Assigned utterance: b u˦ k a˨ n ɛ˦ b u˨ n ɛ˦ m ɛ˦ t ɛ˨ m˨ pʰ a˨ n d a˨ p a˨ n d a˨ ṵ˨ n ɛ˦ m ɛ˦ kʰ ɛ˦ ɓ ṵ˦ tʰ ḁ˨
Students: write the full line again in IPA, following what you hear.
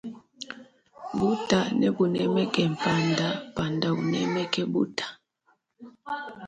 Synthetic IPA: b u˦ t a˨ n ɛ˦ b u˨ n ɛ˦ m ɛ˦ k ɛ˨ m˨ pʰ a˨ n d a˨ p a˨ n d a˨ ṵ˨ n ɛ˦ m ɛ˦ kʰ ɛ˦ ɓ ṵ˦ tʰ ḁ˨